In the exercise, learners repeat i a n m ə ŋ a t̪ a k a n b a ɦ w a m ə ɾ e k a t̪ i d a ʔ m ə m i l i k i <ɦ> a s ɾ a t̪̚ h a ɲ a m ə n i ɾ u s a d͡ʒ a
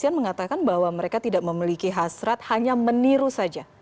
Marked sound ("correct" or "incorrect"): correct